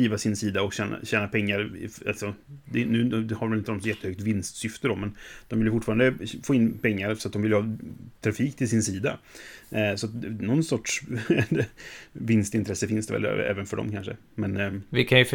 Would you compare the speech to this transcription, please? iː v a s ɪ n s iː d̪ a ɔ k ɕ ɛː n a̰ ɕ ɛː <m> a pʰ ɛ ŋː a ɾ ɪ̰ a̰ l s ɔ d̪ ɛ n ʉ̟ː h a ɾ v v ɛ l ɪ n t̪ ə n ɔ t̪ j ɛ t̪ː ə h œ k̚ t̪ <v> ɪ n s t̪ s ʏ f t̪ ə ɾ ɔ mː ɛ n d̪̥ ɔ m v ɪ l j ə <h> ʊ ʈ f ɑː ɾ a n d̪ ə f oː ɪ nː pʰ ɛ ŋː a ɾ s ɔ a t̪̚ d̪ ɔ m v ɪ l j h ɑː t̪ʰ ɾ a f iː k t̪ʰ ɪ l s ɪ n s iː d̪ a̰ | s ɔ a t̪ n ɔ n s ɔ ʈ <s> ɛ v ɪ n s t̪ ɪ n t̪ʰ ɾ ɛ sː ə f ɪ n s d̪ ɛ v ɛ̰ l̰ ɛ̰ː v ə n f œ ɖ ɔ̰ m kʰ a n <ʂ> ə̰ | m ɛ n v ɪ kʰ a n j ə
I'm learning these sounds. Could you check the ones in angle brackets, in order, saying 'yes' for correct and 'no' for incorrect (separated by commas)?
no, yes, no, no, yes